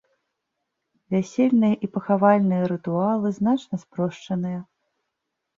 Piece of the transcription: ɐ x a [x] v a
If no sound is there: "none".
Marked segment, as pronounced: none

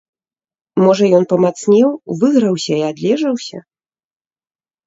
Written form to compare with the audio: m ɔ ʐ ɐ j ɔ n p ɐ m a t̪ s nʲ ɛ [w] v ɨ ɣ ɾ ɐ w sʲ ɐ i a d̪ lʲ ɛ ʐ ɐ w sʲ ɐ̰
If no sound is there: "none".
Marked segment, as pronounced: w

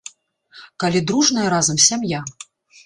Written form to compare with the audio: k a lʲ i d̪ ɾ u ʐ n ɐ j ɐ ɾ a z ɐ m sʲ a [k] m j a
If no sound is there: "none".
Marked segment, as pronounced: none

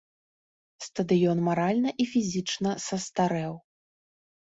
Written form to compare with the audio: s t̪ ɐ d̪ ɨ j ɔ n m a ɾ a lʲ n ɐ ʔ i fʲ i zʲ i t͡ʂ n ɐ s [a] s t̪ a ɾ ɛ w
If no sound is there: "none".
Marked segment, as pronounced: ɐ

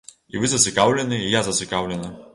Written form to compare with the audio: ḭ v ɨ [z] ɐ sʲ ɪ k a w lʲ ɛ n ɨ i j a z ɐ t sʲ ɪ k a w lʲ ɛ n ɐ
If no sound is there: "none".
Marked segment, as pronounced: z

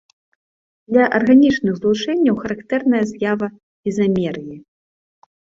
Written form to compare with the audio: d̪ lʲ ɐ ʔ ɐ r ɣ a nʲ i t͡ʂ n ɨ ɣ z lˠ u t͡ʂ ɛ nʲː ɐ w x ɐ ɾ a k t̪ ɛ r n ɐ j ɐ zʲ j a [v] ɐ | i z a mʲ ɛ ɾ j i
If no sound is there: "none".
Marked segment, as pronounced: v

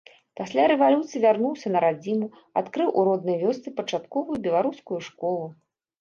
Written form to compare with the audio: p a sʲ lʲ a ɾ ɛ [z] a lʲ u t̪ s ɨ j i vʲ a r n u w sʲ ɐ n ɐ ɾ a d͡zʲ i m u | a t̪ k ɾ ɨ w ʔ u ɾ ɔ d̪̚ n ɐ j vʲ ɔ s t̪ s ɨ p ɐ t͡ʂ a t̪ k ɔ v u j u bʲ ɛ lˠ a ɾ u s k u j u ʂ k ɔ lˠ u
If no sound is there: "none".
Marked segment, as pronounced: v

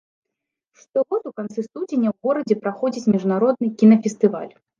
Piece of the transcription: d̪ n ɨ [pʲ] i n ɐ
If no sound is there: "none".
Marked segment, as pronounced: kʲ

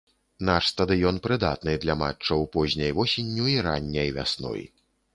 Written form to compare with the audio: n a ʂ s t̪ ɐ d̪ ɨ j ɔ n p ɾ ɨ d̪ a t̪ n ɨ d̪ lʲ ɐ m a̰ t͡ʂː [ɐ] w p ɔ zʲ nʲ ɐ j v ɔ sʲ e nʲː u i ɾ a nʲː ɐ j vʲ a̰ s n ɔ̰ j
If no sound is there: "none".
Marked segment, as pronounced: ɐ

